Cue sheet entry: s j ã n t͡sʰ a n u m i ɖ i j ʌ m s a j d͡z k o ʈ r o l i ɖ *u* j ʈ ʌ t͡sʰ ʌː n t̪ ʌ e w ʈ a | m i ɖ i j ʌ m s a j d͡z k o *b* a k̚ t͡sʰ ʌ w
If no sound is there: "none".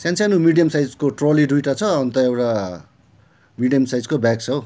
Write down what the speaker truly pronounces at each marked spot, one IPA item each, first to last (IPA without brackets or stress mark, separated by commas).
u, b